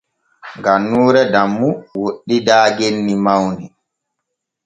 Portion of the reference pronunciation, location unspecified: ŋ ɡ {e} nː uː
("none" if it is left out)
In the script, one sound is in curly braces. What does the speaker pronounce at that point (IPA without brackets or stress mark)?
a